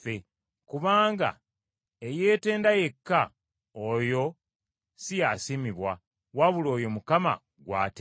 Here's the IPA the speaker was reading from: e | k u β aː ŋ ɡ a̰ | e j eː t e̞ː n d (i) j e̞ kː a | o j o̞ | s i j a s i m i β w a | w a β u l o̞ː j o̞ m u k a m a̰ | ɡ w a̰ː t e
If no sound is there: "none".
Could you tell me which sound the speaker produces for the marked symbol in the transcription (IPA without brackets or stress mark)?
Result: a